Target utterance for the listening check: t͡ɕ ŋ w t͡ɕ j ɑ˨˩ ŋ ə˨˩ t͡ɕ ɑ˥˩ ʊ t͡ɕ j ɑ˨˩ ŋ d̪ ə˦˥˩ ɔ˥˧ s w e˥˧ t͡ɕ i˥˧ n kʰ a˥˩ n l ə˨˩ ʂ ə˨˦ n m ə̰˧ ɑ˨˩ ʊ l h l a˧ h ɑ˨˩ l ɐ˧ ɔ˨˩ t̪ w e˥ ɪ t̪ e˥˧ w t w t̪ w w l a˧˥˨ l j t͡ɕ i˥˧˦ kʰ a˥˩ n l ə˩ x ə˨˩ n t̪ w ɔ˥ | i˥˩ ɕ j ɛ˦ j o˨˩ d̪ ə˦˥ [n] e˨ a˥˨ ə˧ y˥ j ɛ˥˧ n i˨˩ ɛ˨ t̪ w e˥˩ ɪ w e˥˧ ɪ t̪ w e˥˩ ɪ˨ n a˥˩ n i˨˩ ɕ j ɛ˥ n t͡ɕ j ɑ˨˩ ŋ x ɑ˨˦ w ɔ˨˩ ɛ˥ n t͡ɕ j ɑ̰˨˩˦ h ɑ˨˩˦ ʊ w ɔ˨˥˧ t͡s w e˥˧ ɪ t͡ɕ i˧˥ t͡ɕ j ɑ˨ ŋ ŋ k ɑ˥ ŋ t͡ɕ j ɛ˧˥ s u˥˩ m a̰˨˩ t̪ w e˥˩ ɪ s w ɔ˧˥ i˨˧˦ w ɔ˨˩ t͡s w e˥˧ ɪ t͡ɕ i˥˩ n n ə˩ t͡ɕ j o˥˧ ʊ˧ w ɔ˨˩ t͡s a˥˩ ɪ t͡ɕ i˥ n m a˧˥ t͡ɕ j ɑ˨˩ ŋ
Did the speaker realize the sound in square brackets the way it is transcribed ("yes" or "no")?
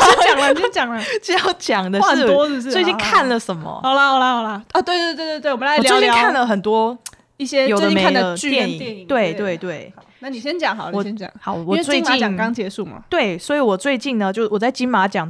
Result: no